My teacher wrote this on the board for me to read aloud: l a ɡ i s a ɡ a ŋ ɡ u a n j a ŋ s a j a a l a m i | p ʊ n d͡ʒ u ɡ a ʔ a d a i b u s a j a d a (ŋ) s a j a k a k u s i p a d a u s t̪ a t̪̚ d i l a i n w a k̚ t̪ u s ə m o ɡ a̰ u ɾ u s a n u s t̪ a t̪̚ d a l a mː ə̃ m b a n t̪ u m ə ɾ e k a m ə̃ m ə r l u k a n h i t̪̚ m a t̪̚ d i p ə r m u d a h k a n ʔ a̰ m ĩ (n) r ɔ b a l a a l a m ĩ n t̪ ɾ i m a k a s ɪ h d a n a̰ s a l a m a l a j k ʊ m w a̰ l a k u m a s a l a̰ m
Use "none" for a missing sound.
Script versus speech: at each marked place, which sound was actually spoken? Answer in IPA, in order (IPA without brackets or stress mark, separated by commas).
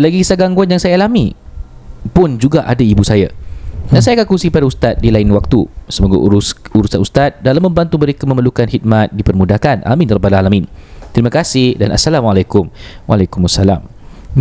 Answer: n, n